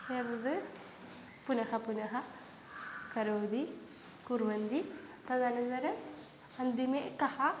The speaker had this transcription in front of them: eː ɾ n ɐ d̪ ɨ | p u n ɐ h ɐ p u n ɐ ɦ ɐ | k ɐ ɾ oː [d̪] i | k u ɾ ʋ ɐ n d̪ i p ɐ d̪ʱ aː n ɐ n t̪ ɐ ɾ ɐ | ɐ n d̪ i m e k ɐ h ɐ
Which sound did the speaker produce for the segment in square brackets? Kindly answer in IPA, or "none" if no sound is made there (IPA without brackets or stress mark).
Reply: d̪